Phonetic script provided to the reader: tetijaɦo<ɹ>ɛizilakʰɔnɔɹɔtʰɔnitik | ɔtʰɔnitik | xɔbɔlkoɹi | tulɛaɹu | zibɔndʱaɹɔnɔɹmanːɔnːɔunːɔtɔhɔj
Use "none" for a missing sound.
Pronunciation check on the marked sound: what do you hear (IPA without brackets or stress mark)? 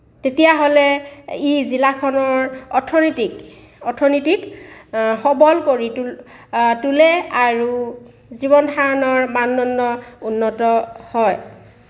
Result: l